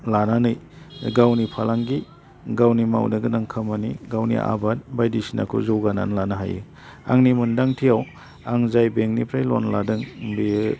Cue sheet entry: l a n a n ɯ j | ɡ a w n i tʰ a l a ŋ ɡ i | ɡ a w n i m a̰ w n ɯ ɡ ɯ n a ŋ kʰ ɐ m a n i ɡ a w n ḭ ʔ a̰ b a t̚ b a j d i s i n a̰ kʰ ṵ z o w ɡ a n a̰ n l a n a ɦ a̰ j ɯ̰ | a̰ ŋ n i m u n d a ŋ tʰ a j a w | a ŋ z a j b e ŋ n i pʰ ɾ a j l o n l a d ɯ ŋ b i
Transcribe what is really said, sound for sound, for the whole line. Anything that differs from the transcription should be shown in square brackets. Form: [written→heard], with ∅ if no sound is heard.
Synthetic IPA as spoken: l a n a n ɯ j | ɡ a w n i [tʰ→pʰ] a l a ŋ ɡ i | ɡ a w n i m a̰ w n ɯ ɡ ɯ n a ŋ kʰ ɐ m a n i ɡ a w n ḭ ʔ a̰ b a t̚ b a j d i s i n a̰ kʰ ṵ z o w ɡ a n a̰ n l a n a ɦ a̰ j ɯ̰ | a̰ ŋ n i m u n d a ŋ tʰ [a→i] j a w | a ŋ z a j b e ŋ n i pʰ ɾ a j l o n l a d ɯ ŋ b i